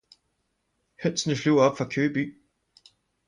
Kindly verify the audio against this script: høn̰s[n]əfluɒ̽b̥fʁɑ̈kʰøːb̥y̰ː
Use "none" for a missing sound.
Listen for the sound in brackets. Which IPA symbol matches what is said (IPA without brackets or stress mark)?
n